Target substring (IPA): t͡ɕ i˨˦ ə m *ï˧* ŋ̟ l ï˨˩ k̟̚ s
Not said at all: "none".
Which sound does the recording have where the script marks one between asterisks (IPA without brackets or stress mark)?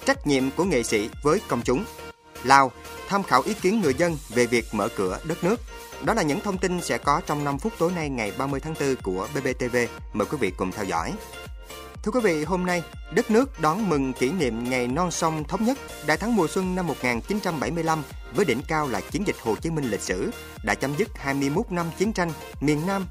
ï˧